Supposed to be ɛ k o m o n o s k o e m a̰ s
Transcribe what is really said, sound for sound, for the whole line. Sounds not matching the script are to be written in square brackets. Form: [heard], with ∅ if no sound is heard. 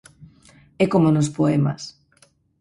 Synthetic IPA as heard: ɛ k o m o n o s [p] o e m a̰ s